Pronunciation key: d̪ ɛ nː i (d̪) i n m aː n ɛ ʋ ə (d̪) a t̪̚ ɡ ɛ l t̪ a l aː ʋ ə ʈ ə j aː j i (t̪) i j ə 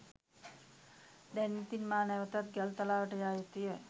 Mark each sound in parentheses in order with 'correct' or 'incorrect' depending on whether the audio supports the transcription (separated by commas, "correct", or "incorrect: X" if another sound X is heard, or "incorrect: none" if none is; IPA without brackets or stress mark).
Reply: incorrect: t̪, incorrect: t̪, correct